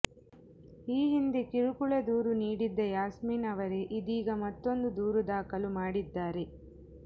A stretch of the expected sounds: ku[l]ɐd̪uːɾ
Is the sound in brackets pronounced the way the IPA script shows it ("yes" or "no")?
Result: no